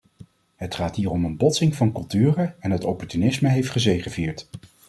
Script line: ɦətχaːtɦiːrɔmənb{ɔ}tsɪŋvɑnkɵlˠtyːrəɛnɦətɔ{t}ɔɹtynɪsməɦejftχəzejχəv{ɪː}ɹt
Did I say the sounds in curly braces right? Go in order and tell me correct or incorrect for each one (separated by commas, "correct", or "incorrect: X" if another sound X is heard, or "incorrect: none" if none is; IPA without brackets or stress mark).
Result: correct, incorrect: p, incorrect: iː